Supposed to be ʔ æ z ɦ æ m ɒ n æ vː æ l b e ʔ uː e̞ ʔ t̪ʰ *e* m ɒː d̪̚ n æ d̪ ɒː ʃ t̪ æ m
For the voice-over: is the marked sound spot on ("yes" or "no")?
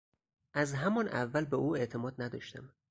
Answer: yes